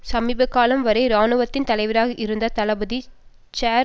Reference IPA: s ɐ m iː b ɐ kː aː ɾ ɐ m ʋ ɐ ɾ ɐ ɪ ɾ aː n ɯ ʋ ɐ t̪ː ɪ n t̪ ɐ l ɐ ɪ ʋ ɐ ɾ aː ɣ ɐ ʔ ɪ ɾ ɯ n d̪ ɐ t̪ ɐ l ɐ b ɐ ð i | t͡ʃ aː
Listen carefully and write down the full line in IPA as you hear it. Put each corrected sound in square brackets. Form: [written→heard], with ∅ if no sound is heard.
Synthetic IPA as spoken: s ɐ m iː b ɐ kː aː [ɾ→l] ɐ m ʋ ɐ ɾ ɐ ɪ ɾ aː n ɯ ʋ ɐ t̪ː ɪ n t̪ ɐ l ɐ ɪ ʋ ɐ ɾ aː ɣ ɐ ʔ ɪ ɾ ɯ n d̪ ɐ t̪ ɐ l ɐ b ɐ ð i | t͡ʃ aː

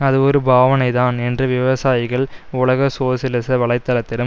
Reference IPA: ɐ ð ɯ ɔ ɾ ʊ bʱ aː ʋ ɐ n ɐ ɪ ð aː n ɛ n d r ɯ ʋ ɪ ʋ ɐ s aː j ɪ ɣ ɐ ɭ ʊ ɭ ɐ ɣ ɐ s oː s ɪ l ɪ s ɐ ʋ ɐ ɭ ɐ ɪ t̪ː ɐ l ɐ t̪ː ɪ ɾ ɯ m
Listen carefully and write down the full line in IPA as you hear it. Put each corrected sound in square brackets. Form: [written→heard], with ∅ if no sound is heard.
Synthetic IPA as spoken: ɐ ð ɯ ɔ ɾ [ʊ→ɯ] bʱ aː ʋ ɐ n ɐ ɪ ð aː n ɛ n d r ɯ ʋ ɪ ʋ ɐ s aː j ɪ ɣ ɐ ɭ ʊ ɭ ɐ ɣ ɐ s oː s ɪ l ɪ s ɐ ʋ ɐ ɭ ɐ ɪ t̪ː ɐ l ɐ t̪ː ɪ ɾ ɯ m

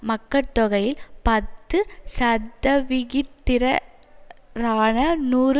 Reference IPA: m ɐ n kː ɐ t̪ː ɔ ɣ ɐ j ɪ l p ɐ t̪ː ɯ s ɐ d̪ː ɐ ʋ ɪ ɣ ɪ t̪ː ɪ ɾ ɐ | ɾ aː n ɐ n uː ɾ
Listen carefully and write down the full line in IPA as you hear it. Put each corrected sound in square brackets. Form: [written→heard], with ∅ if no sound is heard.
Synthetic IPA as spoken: m ɐ [n→∅] kː ɐ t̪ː ɔ ɣ ɐ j ɪ l p ɐ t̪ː ɯ s ɐ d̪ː ɐ ʋ ɪ ɣ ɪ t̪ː ɪ ɾ ɐ | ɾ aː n ɐ n uː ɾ

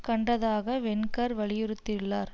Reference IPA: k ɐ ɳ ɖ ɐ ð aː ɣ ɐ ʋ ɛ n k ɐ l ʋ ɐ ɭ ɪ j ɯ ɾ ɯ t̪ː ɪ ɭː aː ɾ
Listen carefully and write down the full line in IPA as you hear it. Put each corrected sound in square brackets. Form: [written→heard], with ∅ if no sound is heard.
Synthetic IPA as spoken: k ɐ ɳ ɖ ɐ ð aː ɣ ɐ ʋ ɛ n k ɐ [l→ɾ] ʋ ɐ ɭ ɪ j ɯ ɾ ɯ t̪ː ɪ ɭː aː ɾ

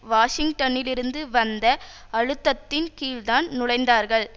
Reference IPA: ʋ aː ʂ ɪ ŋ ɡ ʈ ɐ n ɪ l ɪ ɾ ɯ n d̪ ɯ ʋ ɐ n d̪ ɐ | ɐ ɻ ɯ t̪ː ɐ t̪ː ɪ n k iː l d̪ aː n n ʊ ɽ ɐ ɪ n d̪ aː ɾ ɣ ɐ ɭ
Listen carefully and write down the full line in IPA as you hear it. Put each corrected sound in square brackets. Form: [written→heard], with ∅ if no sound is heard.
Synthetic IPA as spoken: ʋ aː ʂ ɪ ŋ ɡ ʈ ɐ n ɪ l ɪ ɾ ɯ n d̪ ɯ ʋ ɐ n d̪ ɐ | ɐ ɻ ɯ t̪ː ɐ t̪ː ɪ n k iː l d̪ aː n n ʊ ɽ ɐ ɪ n d̪ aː ɾ ɣ ɐ ɭ

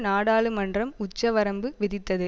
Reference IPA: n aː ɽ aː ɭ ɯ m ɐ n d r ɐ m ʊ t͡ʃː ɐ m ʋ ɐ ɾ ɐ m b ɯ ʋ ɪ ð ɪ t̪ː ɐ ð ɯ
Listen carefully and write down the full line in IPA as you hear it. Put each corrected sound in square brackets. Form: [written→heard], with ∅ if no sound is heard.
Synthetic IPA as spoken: n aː ɽ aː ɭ ɯ m ɐ n d r ɐ m ʊ t͡ʃː ɐ [m→∅] ʋ ɐ ɾ ɐ m b ɯ ʋ ɪ ð ɪ t̪ː ɐ ð ɯ

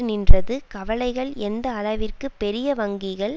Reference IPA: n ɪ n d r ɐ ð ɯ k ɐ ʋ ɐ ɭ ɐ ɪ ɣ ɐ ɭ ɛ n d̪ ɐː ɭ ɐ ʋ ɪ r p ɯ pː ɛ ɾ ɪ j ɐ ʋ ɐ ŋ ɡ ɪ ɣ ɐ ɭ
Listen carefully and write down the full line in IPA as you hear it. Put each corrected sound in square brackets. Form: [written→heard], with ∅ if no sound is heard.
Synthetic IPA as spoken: n ɪ n d r ɐ ð ɯ k ɐ ʋ ɐ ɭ ɐ ɪ ɣ ɐ ɭ ɛ n d̪ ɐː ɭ ɐ ʋ ɪ r [p→k] ɯ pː ɛ ɾ ɪ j ɐ ʋ ɐ ŋ ɡ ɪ ɣ ɐ ɭ

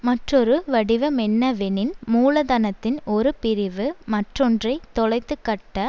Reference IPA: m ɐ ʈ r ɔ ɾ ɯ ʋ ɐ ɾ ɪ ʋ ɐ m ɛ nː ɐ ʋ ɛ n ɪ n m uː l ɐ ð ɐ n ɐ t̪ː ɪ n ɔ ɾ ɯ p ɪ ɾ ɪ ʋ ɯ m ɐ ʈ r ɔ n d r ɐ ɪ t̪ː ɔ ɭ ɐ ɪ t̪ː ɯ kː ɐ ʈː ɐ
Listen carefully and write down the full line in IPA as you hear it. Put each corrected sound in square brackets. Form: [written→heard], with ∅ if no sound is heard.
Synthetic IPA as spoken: m ɐ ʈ r ɔ ɾ ɯ ʋ ɐ [ɾ→ɽ] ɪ ʋ ɐ m ɛ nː ɐ ʋ ɛ n ɪ n m uː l ɐ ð ɐ n ɐ t̪ː ɪ n ɔ ɾ ɯ p ɪ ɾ ɪ ʋ ɯ m ɐ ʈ r ɔ n d r ɐ ɪ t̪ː ɔ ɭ ɐ ɪ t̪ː ɯ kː ɐ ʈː ɐ

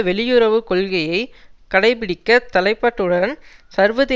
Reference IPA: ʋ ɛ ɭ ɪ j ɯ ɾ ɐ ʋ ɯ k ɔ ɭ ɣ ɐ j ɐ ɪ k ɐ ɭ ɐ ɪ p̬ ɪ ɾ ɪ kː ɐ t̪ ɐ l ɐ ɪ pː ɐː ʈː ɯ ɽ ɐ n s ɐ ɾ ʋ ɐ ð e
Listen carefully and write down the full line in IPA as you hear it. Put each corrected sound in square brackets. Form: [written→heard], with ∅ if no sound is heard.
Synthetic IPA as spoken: ʋ ɛ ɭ ɪ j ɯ ɾ ɐ ʋ ɯ k ɔ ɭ ɣ ɐ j ɐ ɪ k ɐ [ɭ→ɽ] ɐ ɪ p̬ ɪ [ɾ→ɽ] ɪ kː ɐ t̪ ɐ l ɐ ɪ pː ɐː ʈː ɯ ɽ ɐ n s ɐ ɾ ʋ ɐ ð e

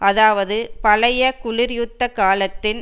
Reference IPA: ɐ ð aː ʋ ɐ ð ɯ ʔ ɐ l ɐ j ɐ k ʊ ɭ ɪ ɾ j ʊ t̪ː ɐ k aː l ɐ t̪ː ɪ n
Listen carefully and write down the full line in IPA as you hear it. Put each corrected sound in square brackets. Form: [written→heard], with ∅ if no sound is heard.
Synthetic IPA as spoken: ɐ ð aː ʋ ɐ ð ɯ [ʔ→p] ɐ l ɐ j ɐ k ʊ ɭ ɪ ɾ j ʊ t̪ː ɐ k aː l ɐ t̪ː ɪ n

